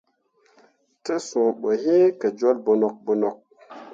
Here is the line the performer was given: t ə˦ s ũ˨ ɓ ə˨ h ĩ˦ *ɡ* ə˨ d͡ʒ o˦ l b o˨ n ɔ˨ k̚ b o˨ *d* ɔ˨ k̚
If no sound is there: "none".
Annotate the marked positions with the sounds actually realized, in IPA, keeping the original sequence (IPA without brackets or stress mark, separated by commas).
k, n